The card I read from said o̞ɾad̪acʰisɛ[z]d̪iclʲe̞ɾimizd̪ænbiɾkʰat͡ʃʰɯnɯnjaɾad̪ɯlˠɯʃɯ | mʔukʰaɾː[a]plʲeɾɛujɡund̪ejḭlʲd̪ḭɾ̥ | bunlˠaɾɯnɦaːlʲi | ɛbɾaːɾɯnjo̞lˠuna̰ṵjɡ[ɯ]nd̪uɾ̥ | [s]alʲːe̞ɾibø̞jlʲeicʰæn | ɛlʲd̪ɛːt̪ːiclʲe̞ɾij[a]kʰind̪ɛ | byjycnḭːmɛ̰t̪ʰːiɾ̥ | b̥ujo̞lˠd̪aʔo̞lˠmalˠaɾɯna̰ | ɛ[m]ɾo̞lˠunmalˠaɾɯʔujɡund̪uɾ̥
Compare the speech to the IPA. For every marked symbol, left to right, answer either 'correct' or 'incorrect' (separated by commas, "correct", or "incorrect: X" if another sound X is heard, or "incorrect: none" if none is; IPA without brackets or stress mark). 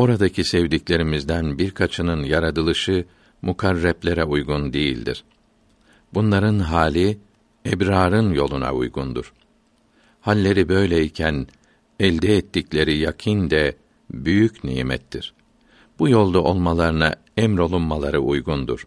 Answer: incorrect: v, incorrect: ɛ, incorrect: u, incorrect: h, correct, correct